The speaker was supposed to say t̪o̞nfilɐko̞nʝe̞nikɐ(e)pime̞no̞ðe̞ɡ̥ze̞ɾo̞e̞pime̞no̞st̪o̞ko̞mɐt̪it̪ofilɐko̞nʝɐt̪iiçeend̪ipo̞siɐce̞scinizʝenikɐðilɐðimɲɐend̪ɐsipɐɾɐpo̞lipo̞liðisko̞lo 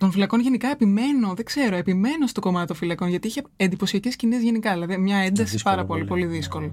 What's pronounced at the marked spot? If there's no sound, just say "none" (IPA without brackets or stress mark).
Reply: e